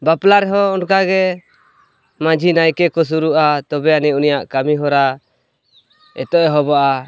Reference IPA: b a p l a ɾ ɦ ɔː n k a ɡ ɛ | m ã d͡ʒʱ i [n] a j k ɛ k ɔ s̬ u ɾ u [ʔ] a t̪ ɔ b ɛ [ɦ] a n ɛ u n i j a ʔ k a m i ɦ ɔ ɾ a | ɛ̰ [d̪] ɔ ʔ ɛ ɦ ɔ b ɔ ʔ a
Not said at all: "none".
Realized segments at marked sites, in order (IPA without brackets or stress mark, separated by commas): n, ʔ, none, t̪